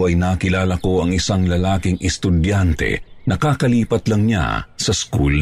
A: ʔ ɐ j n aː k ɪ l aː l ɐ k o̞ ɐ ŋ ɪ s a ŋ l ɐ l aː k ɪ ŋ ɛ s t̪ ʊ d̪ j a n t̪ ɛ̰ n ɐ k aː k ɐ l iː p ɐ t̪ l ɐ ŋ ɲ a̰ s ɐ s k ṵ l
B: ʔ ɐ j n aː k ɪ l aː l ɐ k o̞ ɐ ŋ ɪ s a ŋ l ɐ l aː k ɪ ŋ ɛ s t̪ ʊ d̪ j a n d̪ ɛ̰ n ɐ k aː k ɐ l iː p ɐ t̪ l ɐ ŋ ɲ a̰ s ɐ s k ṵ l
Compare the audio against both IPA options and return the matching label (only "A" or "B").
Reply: A